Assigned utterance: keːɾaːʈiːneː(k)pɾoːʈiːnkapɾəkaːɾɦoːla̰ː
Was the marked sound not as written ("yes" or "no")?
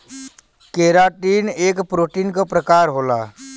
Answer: no